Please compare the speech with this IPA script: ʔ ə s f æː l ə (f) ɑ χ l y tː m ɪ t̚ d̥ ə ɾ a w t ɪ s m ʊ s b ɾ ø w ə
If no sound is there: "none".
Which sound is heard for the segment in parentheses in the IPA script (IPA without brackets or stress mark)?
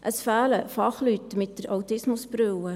f